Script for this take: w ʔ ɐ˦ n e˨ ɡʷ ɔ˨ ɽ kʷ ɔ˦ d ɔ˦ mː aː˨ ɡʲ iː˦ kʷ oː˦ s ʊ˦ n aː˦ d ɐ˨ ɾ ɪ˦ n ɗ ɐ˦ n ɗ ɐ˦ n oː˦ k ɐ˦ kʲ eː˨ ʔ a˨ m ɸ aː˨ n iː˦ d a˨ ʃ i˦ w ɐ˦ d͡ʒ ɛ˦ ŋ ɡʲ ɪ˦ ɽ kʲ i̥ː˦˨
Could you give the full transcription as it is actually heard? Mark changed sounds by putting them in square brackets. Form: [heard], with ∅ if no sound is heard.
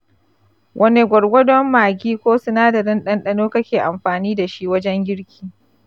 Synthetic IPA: w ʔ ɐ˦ n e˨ ɡʷ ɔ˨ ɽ [ɡʷ] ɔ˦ d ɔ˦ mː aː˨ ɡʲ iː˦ kʷ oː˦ s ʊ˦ n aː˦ d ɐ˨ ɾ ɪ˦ n ɗ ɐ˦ n ɗ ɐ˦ n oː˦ k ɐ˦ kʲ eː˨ ʔ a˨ m ɸ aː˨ n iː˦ d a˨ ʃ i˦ w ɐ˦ d͡ʒ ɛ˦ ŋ ɡʲ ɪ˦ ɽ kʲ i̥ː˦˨